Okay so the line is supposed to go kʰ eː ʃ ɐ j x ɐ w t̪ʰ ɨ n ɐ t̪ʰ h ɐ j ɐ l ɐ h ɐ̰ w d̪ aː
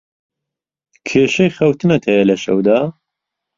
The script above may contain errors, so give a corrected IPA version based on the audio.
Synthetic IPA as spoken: kʰ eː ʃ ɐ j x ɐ w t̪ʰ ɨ n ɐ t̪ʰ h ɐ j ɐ l ɐ ʃ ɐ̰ w d̪ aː